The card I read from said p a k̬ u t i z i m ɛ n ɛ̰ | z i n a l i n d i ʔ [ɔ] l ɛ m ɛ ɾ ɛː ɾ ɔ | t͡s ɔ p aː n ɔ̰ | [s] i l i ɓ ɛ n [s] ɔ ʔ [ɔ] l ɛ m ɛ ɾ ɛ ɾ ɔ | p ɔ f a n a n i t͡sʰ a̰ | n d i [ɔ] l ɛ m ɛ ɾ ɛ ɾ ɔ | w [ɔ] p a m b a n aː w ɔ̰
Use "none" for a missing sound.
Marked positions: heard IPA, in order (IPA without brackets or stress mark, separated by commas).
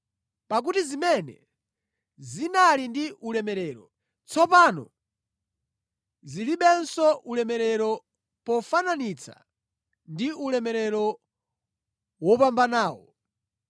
u, z, s, u, u, ɔ